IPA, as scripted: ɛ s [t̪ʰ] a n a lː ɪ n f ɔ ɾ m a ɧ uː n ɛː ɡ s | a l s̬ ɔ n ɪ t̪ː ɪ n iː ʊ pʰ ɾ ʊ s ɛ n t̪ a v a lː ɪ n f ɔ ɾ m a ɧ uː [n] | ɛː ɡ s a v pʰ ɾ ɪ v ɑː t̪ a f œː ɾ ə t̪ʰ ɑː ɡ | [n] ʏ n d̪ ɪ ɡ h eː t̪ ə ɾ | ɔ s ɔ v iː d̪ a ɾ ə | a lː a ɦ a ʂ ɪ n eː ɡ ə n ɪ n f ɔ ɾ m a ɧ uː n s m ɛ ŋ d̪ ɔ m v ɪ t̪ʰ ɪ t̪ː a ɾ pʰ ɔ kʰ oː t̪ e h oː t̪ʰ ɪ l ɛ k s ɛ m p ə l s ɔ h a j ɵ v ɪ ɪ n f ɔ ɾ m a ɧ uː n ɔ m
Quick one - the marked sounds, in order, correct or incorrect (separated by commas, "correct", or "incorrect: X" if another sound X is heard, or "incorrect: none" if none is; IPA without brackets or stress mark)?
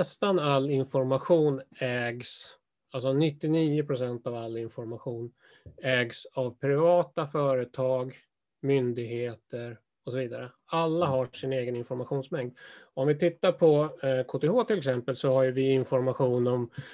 incorrect: t̪, correct, incorrect: m